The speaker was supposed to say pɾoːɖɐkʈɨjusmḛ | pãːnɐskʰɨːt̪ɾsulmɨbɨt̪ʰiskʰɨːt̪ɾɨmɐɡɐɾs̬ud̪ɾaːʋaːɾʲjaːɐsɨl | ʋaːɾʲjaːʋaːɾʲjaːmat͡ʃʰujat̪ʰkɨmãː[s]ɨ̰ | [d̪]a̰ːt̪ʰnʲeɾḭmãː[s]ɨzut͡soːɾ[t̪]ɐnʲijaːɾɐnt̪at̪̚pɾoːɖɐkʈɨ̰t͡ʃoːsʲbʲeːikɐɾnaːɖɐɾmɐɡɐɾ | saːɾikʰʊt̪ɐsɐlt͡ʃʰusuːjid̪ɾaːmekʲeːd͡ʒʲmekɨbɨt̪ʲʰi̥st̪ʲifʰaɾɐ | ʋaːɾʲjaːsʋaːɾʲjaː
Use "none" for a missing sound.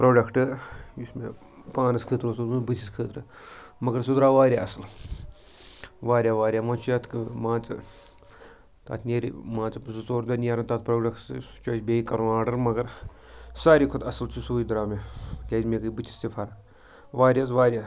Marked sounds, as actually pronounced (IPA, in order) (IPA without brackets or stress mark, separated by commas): t͡s, t̪, t͡s, d̪